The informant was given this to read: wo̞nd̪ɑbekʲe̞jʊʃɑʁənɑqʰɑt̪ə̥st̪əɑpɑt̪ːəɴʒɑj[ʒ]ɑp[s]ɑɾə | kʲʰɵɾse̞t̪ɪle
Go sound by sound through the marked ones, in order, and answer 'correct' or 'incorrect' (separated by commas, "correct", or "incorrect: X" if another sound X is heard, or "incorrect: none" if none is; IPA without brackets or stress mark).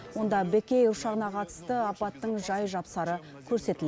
correct, correct